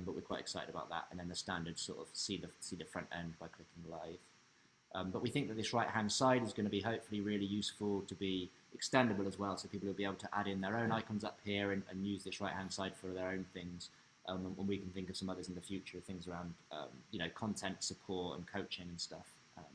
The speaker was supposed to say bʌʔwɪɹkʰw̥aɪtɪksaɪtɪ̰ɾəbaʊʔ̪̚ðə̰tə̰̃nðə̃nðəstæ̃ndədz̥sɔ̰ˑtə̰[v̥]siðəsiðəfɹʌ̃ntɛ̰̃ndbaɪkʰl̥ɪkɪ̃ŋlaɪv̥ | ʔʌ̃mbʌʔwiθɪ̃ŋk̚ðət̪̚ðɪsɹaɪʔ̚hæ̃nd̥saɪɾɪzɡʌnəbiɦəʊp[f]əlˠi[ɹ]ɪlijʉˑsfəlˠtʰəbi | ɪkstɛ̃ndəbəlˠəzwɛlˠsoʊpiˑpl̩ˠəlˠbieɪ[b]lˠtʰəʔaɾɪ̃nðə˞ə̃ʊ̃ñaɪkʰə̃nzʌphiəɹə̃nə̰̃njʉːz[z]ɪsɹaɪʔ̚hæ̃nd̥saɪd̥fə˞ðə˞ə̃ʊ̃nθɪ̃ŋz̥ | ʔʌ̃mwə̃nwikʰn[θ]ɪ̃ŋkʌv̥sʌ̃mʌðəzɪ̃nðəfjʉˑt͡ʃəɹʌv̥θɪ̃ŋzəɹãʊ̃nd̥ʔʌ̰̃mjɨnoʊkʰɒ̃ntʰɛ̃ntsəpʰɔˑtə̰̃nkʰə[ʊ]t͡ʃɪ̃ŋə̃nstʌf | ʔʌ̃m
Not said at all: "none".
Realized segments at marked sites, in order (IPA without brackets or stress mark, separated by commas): v̥, f, ɹ, b, ð, θ, ʊ